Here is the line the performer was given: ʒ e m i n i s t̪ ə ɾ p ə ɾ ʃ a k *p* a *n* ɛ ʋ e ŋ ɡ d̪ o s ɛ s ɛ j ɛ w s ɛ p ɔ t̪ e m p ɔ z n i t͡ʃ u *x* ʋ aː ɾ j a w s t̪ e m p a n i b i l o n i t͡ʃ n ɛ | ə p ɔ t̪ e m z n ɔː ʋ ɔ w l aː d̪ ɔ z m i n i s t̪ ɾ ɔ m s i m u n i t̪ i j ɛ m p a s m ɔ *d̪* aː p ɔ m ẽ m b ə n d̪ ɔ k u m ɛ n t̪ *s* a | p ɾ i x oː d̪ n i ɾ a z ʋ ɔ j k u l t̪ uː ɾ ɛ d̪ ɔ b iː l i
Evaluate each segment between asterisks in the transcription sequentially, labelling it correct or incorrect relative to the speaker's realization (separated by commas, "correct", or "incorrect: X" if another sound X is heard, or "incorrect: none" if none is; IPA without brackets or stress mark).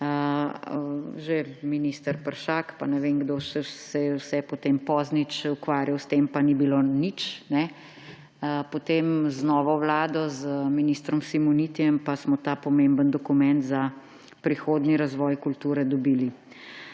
correct, correct, incorrect: k, incorrect: t̪, incorrect: z